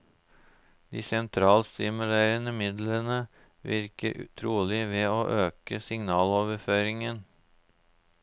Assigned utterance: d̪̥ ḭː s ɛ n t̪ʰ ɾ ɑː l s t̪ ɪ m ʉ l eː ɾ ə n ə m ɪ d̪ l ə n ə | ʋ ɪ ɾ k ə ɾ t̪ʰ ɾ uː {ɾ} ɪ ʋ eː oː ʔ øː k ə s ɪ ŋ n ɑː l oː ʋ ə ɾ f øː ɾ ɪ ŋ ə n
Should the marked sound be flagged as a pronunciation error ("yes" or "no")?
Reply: yes